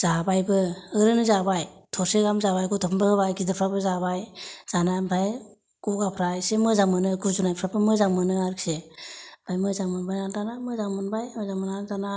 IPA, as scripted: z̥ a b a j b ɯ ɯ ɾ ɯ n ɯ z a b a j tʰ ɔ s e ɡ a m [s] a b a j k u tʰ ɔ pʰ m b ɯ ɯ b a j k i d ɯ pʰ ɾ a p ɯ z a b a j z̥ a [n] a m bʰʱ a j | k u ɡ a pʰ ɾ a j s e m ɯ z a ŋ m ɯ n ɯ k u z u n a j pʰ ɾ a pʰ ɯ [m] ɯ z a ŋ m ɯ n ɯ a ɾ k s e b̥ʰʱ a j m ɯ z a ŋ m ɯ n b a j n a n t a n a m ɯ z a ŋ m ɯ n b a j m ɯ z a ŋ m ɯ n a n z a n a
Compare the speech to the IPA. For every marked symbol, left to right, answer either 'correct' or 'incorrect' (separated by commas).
incorrect, correct, correct